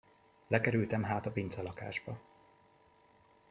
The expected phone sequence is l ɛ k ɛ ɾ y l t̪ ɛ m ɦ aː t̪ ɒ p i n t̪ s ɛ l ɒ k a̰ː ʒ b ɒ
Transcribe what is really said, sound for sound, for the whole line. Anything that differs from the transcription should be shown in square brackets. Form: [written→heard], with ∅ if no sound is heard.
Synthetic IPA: l ɛ k ɛ ɾ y l t̪ ɛ m ɦ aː t̪ ɒ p i n t̪ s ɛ l ɒ k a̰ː ʒ b ɒ